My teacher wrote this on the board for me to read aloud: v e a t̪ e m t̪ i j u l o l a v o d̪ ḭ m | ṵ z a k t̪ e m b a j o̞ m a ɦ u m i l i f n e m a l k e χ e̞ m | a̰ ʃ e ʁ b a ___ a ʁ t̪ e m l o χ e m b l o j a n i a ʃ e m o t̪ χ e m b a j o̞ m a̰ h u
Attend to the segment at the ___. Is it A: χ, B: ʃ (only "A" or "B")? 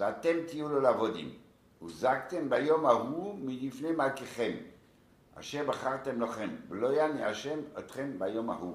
A